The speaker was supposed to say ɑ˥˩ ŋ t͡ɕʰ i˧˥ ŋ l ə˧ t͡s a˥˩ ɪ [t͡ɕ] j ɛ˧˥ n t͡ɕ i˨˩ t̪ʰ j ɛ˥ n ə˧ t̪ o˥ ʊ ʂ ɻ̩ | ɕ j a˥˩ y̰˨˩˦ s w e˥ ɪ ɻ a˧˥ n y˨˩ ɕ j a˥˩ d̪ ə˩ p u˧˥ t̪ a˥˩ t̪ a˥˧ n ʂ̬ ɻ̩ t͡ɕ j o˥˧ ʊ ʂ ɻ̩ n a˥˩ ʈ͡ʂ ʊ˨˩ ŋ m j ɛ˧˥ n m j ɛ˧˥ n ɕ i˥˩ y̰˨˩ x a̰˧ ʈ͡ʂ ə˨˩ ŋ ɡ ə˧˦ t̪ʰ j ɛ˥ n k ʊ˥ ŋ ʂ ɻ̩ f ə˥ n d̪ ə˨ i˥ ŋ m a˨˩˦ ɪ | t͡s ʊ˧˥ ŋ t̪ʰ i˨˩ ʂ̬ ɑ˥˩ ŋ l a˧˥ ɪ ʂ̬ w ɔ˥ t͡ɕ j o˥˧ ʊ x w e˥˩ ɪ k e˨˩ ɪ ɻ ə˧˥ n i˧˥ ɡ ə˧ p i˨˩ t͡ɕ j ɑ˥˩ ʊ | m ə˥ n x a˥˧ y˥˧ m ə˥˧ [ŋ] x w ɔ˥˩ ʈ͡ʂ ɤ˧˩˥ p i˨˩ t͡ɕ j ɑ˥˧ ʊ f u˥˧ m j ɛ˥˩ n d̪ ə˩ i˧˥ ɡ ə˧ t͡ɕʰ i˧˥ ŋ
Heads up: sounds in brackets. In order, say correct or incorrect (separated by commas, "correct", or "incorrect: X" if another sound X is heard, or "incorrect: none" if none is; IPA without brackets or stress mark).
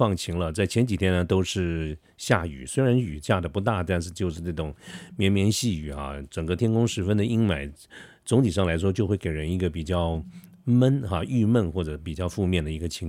incorrect: t͡ɕʰ, incorrect: n